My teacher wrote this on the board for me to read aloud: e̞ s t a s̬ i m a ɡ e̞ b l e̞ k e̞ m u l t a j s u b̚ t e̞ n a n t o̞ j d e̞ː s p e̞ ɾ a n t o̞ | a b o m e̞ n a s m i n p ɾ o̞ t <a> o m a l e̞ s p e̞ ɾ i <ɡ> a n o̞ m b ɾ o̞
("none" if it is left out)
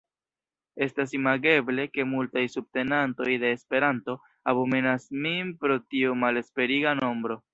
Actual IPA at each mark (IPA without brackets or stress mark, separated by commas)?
i, ɡ